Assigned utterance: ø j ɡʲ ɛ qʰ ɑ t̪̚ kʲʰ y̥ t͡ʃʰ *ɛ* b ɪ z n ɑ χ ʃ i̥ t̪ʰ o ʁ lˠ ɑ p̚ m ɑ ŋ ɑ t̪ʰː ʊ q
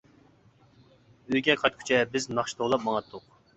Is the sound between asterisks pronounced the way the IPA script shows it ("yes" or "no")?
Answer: yes